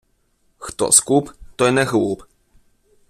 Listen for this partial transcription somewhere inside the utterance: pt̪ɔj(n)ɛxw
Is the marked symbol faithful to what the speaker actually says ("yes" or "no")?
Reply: yes